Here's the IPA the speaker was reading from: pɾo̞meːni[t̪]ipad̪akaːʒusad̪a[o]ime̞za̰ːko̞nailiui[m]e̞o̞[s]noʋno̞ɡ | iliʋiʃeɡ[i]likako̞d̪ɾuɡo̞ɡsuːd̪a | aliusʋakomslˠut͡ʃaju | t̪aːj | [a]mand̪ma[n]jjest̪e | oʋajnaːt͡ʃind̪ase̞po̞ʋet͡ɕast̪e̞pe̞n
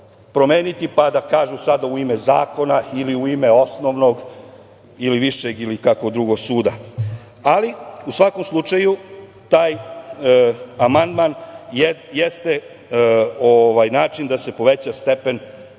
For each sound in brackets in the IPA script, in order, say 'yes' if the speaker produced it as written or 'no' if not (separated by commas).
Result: yes, no, yes, yes, yes, yes, yes